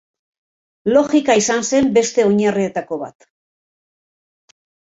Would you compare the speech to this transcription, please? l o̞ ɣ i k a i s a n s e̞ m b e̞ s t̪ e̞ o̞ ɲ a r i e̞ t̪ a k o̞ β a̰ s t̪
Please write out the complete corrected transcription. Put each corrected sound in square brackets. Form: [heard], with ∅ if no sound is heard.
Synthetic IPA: l o̞ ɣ i k a i s a n s e̞ m b e̞ s t̪ e̞ o̞ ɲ a r i e̞ t̪ a k o̞ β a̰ [∅] t̪